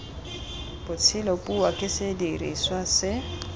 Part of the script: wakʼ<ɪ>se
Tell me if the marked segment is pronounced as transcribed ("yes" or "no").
yes